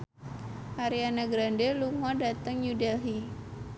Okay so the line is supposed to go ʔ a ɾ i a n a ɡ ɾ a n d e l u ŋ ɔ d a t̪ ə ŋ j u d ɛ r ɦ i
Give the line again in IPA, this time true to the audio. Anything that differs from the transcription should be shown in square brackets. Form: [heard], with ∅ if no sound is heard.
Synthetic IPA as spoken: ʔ a ɾ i a n a ɡ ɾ a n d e l u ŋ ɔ d a t̪ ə ŋ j u d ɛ [l] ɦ i